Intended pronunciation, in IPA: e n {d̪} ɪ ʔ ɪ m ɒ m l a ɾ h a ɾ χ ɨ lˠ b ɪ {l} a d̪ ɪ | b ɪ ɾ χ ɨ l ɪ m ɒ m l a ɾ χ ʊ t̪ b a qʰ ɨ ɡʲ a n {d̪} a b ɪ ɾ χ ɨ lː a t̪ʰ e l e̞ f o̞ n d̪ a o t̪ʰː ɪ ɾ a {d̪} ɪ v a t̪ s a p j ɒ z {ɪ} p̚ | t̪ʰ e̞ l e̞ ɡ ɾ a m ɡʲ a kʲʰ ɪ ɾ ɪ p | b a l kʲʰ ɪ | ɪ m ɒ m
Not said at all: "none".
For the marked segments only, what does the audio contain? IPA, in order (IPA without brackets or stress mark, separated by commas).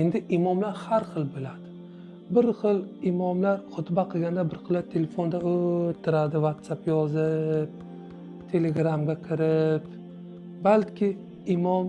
d̪, l, d̪, d̪, ɪ